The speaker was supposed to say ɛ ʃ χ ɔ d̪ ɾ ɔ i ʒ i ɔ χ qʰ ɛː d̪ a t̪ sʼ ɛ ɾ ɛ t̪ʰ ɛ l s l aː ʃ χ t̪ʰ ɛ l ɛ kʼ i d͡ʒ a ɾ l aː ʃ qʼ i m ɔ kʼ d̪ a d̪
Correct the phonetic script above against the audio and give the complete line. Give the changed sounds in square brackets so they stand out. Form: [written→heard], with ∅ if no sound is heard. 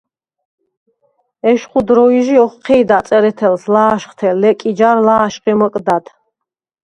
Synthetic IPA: ɛ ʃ χ [ɔ→u] d̪ ɾ ɔ i ʒ i ɔ χ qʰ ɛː d̪ a t̪ sʼ ɛ ɾ ɛ t̪ʰ ɛ l s l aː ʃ χ t̪ʰ ɛ l ɛ kʼ i d͡ʒ a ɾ l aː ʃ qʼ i m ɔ kʼ d̪ a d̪